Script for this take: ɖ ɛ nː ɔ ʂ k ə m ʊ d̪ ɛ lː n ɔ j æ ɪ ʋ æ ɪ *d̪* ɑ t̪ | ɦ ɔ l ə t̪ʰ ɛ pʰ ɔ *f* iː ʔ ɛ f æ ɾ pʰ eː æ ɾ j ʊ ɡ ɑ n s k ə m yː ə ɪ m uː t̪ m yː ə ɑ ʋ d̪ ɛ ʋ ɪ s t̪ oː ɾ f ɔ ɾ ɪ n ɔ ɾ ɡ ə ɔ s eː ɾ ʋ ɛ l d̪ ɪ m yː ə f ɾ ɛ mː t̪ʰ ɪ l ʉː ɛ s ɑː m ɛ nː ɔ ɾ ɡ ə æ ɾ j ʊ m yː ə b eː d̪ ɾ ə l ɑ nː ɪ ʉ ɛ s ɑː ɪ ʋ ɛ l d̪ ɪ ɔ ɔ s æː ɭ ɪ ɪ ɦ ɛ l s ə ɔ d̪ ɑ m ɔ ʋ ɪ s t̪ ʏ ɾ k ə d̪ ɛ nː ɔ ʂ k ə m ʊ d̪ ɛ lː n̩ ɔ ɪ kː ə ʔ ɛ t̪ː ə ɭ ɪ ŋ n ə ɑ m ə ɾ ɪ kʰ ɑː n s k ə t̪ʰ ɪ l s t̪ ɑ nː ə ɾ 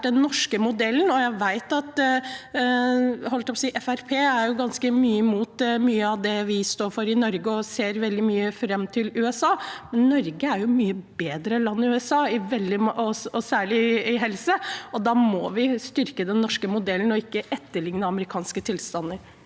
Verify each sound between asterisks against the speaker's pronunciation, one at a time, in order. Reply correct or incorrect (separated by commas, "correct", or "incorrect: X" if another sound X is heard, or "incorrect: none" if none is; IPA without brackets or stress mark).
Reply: incorrect: t̪, incorrect: s